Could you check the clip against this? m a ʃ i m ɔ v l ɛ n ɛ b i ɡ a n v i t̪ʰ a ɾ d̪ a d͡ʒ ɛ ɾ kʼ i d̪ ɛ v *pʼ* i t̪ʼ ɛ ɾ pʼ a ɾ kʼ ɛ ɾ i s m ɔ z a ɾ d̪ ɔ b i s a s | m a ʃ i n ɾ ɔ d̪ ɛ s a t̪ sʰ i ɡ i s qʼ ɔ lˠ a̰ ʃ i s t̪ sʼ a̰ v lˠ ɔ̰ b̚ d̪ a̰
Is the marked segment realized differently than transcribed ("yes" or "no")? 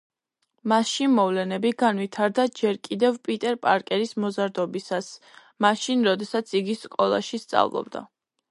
no